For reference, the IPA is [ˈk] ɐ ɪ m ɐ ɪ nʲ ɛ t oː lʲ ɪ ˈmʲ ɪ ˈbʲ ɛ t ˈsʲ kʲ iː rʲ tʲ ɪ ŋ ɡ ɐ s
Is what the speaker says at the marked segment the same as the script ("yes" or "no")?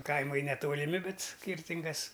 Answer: yes